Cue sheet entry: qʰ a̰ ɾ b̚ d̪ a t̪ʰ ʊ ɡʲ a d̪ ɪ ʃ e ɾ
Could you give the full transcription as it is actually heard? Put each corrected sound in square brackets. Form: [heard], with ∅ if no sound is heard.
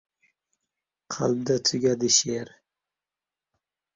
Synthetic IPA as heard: qʰ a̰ [l] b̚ d̪ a t̪ʰ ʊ ɡʲ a d̪ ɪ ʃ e ɾ